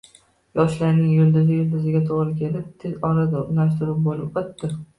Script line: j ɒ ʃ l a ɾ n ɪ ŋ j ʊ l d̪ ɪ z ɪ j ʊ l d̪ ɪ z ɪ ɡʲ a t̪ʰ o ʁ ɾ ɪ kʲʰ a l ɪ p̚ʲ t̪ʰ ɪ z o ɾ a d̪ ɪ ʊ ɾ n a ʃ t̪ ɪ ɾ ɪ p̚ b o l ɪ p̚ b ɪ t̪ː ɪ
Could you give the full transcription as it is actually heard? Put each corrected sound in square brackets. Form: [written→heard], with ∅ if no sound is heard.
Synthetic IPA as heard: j ɒ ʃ l a ɾ n ɪ ŋ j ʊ l d̪ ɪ z ɪ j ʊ l d̪ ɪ z ɪ ɡʲ a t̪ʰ o ʁ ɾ ɪ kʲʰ [a→e] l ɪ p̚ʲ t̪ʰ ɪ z [o→ɒ] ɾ a d̪ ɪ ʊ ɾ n a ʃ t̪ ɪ ɾ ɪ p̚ b o l ɪ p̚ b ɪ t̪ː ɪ

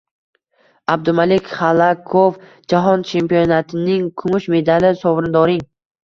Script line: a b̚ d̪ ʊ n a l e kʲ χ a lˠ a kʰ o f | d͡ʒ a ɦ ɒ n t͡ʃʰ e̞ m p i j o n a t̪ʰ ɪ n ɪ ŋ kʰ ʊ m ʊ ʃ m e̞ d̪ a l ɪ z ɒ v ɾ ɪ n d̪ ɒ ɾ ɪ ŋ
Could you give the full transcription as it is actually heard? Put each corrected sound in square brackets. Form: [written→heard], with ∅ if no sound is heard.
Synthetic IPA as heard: a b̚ d̪ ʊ [n→m] a l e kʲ χ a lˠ a kʰ o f | d͡ʒ a ɦ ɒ n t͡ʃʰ e̞ m p i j o n a t̪ʰ ɪ n ɪ ŋ kʰ ʊ m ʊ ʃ m e̞ d̪ a l ɪ [z→s] ɒ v ɾ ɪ n d̪ ɒ ɾ ɪ ŋ

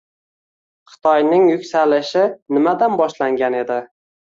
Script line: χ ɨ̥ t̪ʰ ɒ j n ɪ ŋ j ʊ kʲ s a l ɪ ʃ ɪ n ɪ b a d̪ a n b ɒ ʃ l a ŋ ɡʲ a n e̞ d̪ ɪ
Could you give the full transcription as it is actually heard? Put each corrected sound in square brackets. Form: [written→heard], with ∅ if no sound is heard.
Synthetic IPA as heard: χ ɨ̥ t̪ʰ ɒ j n ɪ ŋ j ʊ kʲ s a l ɪ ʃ ɪ n ɪ [b→m] a d̪ a n b ɒ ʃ l a ŋ ɡʲ a n e̞ d̪ ɪ

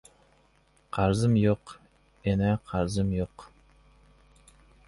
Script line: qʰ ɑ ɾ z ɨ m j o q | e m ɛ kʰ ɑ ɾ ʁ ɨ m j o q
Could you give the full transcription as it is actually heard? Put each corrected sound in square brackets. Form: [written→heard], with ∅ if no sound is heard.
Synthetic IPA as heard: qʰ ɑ ɾ z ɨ m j o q | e [m→n] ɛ [kʰ→qʰ] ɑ ɾ [ʁ→z] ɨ m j o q

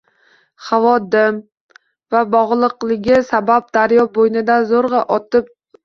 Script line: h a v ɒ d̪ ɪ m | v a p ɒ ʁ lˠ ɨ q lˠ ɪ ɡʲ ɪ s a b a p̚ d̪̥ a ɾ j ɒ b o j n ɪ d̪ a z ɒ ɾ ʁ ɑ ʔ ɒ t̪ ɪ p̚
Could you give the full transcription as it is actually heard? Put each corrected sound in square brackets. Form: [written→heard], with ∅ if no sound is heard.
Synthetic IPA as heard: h a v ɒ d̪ ɪ m | v a [p→b] ɒ ʁ lˠ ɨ q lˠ ɪ ɡʲ ɪ s a b a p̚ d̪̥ a ɾ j ɒ b o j n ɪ d̪ a z [ɒ→o] ɾ ʁ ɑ ʔ ɒ t̪ ɪ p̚

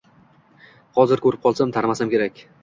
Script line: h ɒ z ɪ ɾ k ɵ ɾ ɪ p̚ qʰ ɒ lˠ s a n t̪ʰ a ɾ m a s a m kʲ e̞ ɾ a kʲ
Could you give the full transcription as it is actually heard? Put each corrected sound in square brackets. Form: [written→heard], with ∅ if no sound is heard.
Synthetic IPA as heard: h ɒ z ɪ ɾ k ɵ ɾ ɪ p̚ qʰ ɒ lˠ s a [n→m] t̪ʰ a ɾ m a s a m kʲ e̞ ɾ a kʲ

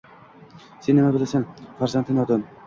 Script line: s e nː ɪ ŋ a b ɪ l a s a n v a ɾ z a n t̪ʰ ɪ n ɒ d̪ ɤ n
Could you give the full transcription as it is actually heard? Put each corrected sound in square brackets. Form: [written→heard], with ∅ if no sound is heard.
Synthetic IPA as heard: s e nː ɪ [ŋ→m] a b ɪ l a s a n [v→f] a ɾ z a n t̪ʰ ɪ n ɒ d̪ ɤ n

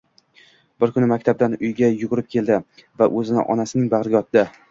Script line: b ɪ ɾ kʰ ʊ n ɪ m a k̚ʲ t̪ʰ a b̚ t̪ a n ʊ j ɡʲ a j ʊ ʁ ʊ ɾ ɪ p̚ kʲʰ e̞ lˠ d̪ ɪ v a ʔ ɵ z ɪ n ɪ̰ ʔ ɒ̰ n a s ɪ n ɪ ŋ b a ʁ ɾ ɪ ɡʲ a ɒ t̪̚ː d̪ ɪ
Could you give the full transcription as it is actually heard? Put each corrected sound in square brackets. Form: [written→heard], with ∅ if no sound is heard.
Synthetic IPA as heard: b ɪ ɾ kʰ ʊ n ɪ m a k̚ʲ t̪ʰ a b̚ [t̪→d̪] a n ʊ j ɡʲ a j ʊ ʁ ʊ ɾ ɪ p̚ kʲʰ e̞ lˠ d̪ ɪ v a ʔ ɵ z ɪ n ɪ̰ ʔ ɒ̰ n a s ɪ n ɪ ŋ b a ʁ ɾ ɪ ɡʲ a ɒ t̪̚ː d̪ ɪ

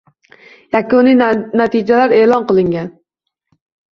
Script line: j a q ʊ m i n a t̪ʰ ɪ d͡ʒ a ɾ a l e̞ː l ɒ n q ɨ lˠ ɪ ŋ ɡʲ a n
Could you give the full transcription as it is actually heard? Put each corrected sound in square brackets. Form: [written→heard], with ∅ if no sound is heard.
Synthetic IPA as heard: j a [q→k] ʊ [m→n] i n a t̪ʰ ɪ d͡ʒ a [ɾ→l] a [l→ɾ] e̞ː l ɒ n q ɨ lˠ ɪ ŋ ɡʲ a n

